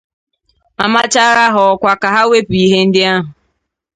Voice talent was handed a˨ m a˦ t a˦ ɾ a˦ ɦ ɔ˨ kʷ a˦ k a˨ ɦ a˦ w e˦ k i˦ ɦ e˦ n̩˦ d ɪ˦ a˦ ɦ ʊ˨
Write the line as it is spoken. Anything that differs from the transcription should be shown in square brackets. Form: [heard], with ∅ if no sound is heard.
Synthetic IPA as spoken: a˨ m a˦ [t͡ʃ] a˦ ɾ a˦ ɦ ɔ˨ kʷ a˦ k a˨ ɦ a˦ w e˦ [p] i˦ ɦ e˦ n̩˦ d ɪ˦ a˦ ɦ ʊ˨